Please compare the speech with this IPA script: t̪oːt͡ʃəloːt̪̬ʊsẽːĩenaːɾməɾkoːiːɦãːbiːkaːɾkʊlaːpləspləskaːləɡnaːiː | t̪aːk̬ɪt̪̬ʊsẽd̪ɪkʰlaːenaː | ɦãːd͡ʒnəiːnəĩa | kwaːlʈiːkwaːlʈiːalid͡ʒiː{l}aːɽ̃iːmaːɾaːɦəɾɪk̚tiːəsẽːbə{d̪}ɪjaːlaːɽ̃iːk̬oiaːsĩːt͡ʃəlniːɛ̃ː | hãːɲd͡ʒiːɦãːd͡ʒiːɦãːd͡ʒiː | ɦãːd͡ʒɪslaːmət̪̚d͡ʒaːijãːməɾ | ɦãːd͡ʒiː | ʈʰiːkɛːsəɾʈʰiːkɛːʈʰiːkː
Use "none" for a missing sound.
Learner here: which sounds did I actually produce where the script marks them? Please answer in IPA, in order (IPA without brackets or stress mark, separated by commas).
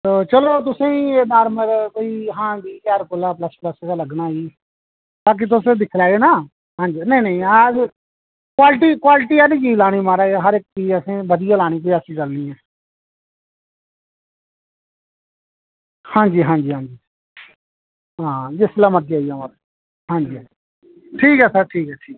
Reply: l, d̪